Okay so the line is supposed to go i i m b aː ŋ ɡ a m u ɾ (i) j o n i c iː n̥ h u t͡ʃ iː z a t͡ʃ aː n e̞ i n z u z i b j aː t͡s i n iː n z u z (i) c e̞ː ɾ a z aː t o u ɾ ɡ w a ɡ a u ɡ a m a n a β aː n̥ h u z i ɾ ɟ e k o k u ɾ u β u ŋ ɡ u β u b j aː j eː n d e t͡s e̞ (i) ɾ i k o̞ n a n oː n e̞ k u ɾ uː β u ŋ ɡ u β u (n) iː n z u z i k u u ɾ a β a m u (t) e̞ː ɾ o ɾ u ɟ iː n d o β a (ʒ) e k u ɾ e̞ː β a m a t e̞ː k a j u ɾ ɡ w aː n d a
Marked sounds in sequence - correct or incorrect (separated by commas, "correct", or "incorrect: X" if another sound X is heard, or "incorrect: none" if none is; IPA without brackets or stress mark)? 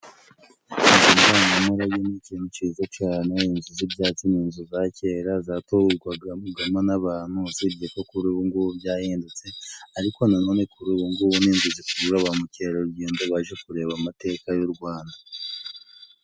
incorrect: a, incorrect: a, incorrect: a, correct, incorrect: c, correct